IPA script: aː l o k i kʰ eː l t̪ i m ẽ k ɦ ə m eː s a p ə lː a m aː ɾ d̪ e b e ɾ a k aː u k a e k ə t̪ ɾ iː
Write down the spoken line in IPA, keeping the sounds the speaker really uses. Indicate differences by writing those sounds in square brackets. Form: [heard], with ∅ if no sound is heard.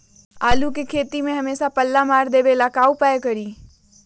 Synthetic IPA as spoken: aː l [u] k [e] kʰ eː [∅] t̪ i m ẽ [∅] ɦ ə m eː s a p ə lː a m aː ɾ d̪ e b e [l] a k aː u [p] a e k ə [∅] ɾ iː